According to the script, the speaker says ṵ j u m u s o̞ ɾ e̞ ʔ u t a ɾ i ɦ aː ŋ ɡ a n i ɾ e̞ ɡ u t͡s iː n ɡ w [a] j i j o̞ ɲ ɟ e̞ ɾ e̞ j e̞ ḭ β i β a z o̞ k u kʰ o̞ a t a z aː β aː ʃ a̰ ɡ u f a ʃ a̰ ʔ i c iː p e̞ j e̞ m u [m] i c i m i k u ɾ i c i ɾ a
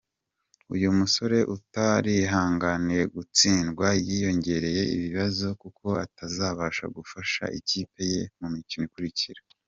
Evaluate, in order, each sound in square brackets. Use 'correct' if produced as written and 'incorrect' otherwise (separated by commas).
correct, correct